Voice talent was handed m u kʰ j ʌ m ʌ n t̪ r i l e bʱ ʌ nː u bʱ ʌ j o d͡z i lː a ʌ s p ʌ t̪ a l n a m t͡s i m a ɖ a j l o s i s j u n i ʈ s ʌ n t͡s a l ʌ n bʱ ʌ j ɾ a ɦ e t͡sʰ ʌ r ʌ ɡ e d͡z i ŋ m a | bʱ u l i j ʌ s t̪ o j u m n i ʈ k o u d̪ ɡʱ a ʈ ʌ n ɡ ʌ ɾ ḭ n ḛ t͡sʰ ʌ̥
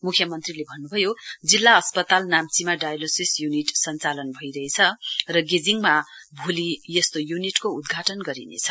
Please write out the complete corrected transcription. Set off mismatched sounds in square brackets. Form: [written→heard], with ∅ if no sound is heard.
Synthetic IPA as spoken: m u kʰ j ʌ m ʌ n t̪ r i l e bʱ ʌ nː u bʱ ʌ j o d͡z i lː a ʌ s p ʌ t̪ a l n a m t͡s i m a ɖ a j l o s i s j u n i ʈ s ʌ n t͡s a l ʌ n bʱ ʌ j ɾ [a→ʌ] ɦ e t͡sʰ ʌ r ʌ ɡ e d͡z i ŋ m a | bʱ u l i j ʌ s t̪ o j u [m→∅] n i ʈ k o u d̪ ɡʱ a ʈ ʌ n ɡ ʌ ɾ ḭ n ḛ t͡sʰ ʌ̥